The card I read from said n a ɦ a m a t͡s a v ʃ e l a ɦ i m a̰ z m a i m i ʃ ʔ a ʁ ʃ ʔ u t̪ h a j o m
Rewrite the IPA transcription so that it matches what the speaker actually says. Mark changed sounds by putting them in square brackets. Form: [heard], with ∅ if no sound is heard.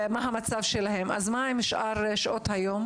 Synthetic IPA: [m] a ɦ a m a t͡s a v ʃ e l a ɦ [e] m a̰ z m a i m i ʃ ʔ a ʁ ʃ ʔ [o] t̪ h a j o m